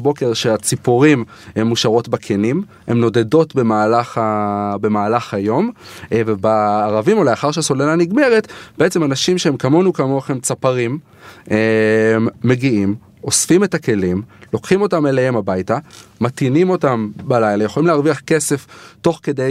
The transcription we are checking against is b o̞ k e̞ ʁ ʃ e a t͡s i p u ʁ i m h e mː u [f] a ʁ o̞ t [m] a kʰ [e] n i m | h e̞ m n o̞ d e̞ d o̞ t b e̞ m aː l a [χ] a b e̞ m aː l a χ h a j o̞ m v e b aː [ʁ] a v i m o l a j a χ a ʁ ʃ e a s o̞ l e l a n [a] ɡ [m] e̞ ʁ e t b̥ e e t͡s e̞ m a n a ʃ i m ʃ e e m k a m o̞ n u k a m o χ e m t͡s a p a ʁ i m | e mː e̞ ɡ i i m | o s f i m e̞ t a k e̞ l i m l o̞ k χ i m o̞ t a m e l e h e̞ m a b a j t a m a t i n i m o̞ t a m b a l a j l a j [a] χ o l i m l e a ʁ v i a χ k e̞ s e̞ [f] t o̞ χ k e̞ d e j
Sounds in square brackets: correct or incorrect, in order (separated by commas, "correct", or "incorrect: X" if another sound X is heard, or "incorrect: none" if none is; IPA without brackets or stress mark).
incorrect: ʃ, incorrect: b, correct, correct, correct, incorrect: i, correct, incorrect: e, correct